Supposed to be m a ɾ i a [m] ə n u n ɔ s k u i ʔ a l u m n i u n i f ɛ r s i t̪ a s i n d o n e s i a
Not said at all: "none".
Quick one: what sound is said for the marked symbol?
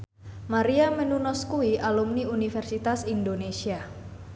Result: m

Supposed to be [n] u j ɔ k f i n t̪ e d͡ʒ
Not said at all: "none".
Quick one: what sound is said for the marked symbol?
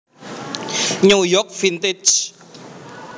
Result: ɲ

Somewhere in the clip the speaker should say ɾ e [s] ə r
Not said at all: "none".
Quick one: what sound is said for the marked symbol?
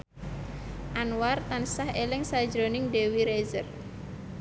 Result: z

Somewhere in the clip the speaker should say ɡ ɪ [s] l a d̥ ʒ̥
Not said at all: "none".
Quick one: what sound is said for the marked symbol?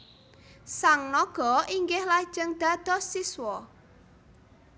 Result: h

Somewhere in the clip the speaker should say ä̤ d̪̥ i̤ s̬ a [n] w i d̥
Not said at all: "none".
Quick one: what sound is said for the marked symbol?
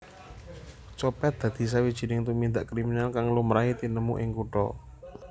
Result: none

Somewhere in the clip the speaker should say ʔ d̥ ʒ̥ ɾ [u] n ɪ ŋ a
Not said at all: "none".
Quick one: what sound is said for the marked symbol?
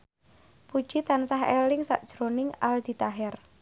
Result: o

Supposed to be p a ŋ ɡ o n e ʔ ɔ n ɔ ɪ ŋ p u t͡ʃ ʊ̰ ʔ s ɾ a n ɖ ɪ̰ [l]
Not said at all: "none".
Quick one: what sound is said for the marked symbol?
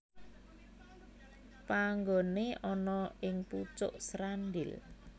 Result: l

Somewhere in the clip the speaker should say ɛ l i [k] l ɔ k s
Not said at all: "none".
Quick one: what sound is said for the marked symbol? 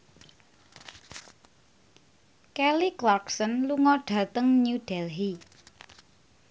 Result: k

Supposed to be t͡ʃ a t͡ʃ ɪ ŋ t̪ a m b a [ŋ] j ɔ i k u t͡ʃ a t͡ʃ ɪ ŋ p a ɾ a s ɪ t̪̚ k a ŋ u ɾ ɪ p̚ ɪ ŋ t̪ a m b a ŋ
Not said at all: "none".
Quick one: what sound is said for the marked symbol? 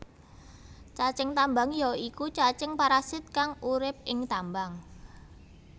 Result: ŋ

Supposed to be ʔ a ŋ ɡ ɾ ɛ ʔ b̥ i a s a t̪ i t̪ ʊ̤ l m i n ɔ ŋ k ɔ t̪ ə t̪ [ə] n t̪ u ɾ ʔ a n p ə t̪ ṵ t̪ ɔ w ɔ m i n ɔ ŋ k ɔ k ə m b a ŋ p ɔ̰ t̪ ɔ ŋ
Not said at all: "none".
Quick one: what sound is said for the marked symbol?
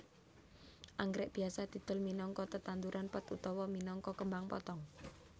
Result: a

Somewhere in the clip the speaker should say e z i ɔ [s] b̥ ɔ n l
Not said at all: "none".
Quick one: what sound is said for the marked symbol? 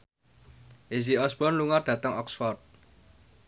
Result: s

